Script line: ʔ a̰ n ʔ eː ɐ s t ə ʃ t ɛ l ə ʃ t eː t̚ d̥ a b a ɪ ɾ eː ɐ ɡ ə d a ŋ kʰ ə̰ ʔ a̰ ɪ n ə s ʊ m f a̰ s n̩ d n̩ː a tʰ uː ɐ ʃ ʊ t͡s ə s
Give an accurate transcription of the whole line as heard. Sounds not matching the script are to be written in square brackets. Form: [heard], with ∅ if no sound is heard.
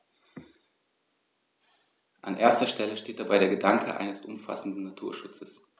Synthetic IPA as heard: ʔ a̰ n ʔ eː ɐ s t [ɐ] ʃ t ɛ l ə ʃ t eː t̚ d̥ a b a ɪ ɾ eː ɐ ɡ ə d a ŋ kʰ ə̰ ʔ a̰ ɪ n ə s ʊ m f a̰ s n̩ d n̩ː a tʰ uː ɐ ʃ ʊ t͡s ə s